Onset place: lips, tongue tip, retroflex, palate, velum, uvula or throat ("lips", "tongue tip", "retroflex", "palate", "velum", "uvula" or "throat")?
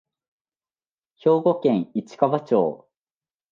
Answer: palate